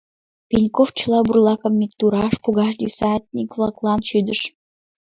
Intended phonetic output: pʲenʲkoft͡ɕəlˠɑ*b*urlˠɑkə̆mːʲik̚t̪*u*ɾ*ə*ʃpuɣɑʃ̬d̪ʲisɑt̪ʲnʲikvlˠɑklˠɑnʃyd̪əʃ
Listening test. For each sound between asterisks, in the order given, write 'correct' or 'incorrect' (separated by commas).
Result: correct, correct, incorrect